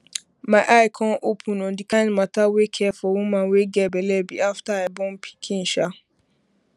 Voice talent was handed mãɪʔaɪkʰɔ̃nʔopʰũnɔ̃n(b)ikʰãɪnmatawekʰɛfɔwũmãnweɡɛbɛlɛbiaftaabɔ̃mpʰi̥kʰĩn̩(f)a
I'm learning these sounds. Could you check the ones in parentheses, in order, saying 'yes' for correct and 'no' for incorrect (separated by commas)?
no, no